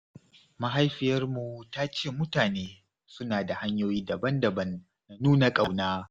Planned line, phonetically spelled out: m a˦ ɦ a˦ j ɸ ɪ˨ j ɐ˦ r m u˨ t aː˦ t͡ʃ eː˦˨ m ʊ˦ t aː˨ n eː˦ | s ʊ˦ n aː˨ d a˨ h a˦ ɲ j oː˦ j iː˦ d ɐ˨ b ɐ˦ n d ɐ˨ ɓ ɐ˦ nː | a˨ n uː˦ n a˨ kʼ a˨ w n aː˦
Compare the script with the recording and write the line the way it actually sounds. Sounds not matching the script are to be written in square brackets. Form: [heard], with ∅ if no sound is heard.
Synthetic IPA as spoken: m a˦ ɦ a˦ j ɸ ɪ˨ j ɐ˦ r m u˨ t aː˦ t͡ʃ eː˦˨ m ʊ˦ t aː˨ n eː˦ | s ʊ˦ n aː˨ d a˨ h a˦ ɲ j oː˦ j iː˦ d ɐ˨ b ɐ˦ n d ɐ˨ [b] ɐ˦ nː | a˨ n uː˦ n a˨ kʼ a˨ w n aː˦

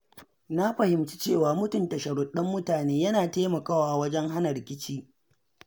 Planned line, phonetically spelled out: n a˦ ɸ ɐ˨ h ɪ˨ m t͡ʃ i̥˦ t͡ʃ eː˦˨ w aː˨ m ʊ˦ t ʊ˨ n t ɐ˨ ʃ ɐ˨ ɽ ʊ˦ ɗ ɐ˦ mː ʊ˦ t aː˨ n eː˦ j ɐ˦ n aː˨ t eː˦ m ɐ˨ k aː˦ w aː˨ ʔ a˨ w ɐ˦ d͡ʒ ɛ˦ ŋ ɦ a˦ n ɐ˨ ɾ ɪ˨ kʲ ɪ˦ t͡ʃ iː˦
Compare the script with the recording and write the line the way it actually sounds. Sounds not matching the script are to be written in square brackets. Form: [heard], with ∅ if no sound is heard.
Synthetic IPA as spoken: n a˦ ɸ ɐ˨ h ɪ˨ m t͡ʃ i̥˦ t͡ʃ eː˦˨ w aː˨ m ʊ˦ t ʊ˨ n t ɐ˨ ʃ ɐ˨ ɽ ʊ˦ ɗ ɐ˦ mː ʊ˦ t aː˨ n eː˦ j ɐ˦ n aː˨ t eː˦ m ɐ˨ k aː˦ w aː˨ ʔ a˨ w ɐ˦ d͡ʒ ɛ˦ ŋ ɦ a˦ n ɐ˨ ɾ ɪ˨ kʲ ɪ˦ t͡ʃ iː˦

